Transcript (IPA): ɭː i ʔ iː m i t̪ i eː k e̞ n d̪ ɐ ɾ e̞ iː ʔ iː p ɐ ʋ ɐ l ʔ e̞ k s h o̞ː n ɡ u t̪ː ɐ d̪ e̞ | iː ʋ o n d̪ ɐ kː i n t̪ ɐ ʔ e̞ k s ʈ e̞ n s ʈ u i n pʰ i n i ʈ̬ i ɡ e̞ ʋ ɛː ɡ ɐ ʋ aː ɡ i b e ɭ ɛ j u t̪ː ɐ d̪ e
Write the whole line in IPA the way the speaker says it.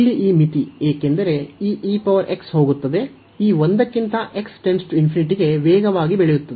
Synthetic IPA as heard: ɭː i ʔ iː m i t̪ i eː k e̞ n d̪ ɐ ɾ e̞ iː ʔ iː p ɐ ʋ ɐ ɾ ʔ e̞ k s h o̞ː ɡ u t̪ː ɐ d̪ e̞ | iː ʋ o n d̪ ɐ kː i n t̪ ɐ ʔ e̞ k s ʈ e̞ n s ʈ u i n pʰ i n i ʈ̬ i ɡ e̞ ʋ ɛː ɡ ɐ ʋ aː ɡ i b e ɭ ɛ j u t̪ː ɐ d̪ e

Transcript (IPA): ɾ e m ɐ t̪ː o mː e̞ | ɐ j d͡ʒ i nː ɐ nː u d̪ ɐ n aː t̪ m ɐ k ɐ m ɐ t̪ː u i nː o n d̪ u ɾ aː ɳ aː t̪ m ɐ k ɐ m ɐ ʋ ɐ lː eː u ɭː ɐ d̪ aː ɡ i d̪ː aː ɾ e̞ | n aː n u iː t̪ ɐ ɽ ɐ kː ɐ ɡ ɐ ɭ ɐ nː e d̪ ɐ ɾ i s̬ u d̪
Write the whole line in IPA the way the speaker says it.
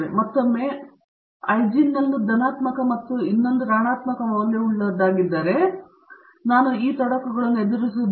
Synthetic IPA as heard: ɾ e m ɐ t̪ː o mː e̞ | ɐ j d͡ʒ i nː ɐ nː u d̪ ɐ n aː t̪ m ɐ k ɐ m ɐ t̪ː u i nː o n d̪ u ɾ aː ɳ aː t̪ m ɐ k ɐ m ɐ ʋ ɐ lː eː u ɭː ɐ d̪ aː ɡ i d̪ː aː ɾ e̞ | n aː n u iː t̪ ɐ ɽ ɐ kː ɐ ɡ ɐ ɭ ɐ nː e d̪ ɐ ɾ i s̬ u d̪

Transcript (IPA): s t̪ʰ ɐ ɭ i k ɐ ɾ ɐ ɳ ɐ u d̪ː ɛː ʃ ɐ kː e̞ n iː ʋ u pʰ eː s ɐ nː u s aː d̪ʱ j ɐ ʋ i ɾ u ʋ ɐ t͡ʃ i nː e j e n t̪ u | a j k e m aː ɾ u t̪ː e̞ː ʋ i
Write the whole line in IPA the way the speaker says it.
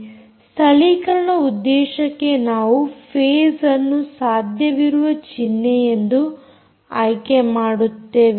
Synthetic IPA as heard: s t̪ʰ ɐ ɭ i k ɐ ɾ ɐ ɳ ɐ u d̪ː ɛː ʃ ɐ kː e̞ n aː ʋ u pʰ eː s ɐ nː u s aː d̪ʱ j ɐ ʋ i ɾ u ʋ ɐ t͡ʃ i nː e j e n d̪ u | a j k e m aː ɽ u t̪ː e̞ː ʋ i

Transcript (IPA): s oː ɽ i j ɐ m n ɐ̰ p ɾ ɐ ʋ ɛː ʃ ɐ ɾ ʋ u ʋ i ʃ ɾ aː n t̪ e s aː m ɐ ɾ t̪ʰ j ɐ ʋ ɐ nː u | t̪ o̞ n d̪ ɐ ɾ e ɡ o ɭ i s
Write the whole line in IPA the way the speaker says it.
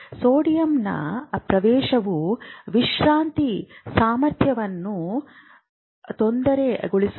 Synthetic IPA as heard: s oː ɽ i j ɐ m n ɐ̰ p ɾ ɐ ʋ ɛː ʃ ɐ ʋ u ʋ i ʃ ɾ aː n t̪ i s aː m ɐ ɾ t̪ʰ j ɐ ʋ ɐ nː u | t̪ o̞ n d̪ ɐ ɾ e ɡ o ɭ i s

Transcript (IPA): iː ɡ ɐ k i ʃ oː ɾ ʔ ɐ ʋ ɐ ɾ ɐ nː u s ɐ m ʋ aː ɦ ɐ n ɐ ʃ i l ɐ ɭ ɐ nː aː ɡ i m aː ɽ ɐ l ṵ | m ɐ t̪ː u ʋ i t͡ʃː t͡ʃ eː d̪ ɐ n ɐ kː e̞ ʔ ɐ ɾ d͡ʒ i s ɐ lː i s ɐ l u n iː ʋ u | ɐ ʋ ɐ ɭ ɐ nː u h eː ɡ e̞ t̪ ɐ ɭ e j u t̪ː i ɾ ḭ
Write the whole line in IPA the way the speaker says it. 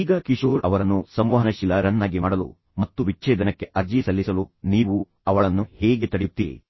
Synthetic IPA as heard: iː ɡ ɐ k i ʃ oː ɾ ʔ ɐ ʋ ɐ ɾ ɐ nː u s ɐ m ʋ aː ɦ ɐ n ɐ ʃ i l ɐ ɾ ɐ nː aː ɡ i m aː ɽ ɐ l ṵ | m ɐ t̪ː u ʋ i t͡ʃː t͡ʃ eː d̪ ɐ n ɐ kː e̞ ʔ ɐ ɾ d͡ʒ i s ɐ lː i s ɐ l u n iː ʋ u | ɐ ʋ ɐ ɭ ɐ nː u h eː ɡ e̞ t̪ ɐ ɽ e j u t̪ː i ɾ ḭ

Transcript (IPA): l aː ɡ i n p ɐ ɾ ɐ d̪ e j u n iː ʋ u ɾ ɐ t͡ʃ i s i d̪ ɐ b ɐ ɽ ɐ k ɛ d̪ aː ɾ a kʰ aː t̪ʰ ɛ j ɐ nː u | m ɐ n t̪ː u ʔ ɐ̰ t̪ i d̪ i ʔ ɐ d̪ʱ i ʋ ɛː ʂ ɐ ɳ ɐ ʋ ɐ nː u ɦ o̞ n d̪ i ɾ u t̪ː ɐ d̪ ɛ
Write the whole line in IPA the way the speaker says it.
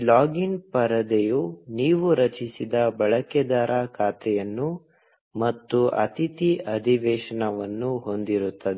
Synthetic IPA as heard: l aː ɡ i n p ɐ ɾ ɐ d̪ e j u n iː ʋ u ɾ ɐ t͡ʃ i s i d̪ ɐ b ɐ ɭ ɐ k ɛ d̪ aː ɾ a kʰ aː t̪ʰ ɛ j ɐ nː u | m ɐ t̪ː u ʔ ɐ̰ t̪ i t̪ i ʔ ɐ d̪ʱ i ʋ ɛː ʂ ɐ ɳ ɐ ʋ ɐ nː u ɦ o̞ n d̪ i ɾ u t̪ː ɐ d̪ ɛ

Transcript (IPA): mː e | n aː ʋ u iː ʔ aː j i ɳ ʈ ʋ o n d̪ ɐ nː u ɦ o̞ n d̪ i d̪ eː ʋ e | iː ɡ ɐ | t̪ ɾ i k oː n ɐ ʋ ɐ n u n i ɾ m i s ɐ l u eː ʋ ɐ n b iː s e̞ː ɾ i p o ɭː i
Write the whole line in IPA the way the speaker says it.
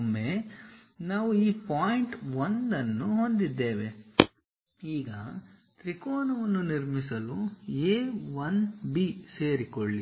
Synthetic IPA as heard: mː e | n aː ʋ u iː p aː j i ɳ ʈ ʋ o n d̪ ɐ nː u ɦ o̞ n d̪ i d̪ː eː ʋ e | iː ɡ ɐ | t̪ ɾ i k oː n ɐ ʋ ɐ nː u n i ɾ m i s ɐ l u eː ʋ ɐ n b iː s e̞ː ɾ i k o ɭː i

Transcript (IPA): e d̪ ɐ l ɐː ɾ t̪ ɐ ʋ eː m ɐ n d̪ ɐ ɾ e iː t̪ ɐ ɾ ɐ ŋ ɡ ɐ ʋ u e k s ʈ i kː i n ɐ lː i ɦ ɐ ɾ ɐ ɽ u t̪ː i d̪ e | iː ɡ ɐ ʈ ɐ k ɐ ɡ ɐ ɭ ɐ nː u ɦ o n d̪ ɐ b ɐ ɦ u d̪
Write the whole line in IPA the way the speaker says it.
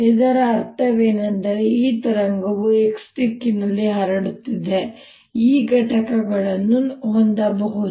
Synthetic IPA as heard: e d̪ ɐ ɾ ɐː ɾ t̪ ɐ ʋ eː n ɐ n d̪ ɐ ɾ e iː t̪ ɐ ɾ ɐ ŋ ɡ ɐ ʋ u e k s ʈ i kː i n ɐ lː i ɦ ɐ ɾ ɐ ɽ u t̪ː i d̪ e | iː ɡ ɐ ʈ ɐ k ɐ ɡ ɐ ɭ ɐ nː u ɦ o n d̪ ɐ b ɐ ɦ u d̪

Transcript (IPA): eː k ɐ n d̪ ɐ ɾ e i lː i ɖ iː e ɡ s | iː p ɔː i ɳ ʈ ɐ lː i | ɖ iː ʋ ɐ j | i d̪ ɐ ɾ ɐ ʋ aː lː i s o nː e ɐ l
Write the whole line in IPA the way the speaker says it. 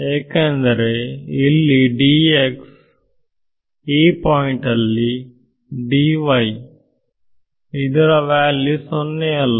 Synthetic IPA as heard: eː k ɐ n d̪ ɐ ɾ e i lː i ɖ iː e k s | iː p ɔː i ɳ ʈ ɐ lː i | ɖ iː ʋ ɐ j | i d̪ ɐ ɾ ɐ ʋ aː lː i s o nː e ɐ l

